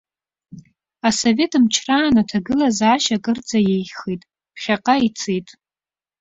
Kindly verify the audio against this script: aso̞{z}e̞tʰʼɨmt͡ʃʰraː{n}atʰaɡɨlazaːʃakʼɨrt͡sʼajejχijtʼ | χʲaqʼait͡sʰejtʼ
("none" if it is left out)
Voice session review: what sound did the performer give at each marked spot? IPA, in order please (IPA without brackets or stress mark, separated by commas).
v, n